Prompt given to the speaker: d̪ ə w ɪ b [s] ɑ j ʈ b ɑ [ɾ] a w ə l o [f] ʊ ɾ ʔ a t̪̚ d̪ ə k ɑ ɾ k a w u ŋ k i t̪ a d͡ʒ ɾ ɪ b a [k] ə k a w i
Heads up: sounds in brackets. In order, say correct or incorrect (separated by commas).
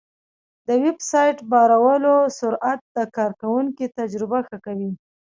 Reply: correct, correct, incorrect, incorrect